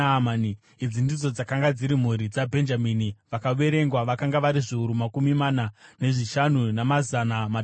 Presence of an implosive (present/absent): absent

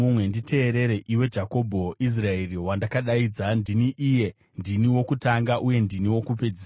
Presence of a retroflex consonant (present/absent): absent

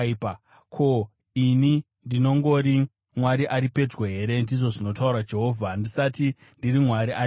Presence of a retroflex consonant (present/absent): present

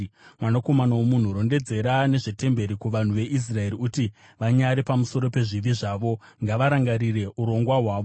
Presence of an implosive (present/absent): absent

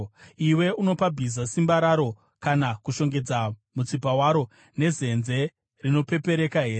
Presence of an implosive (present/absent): absent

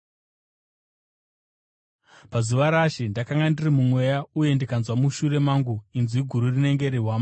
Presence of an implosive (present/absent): absent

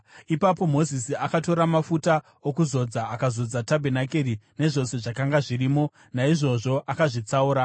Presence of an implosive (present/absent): absent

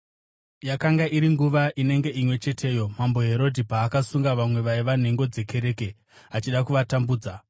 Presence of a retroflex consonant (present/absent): absent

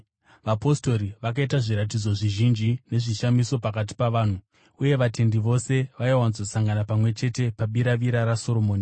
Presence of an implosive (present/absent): present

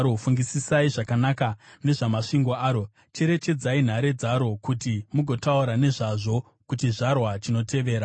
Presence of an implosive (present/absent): absent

